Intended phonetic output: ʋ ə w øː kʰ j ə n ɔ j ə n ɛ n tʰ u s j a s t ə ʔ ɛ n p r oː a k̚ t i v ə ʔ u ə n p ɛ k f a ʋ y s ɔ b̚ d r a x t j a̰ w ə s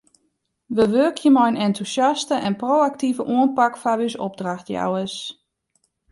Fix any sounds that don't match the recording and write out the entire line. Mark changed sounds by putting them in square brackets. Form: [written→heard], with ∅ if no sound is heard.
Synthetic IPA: ʋ ə [w→ʋ] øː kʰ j ə [n→m] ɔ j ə n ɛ n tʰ u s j a s t ə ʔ ɛ n p r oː a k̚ t i v ə ʔ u ə n p [ɛ→a] k f a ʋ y s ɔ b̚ d r a x t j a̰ w ə s